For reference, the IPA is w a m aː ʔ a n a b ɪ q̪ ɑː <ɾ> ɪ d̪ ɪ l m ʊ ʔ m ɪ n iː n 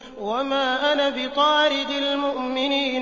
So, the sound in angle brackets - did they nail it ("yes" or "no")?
yes